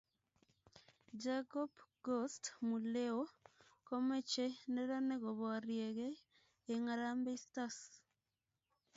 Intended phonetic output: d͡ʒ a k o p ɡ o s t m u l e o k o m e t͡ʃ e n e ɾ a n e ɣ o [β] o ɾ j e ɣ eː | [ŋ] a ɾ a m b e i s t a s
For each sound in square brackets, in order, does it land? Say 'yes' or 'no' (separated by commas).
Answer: yes, yes